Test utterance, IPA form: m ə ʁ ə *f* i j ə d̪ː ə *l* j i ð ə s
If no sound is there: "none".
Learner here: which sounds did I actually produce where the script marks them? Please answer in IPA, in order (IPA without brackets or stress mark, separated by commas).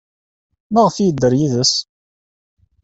f, ɾ